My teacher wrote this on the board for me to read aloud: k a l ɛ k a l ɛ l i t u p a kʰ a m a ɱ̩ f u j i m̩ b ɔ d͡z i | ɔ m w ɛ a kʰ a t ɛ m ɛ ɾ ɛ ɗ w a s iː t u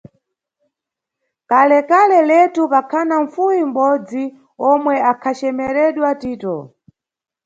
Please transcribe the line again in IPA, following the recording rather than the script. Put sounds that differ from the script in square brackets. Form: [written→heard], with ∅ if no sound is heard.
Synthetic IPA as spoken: k a l ɛ k a l ɛ l [i→ɛ] t u p a kʰ a [m→n] a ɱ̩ f u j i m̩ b ɔ d͡z i | ɔ m w ɛ a kʰ a [t→t͡ʃ] ɛ m ɛ ɾ ɛ ɗ w a [s→t] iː t [u→ɔ]